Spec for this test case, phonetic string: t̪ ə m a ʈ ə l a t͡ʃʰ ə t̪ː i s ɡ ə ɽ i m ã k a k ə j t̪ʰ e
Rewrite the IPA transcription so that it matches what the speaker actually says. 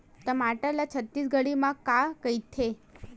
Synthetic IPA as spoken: t̪ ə m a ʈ ə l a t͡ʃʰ ə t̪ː i s ɡ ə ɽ i m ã k a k ə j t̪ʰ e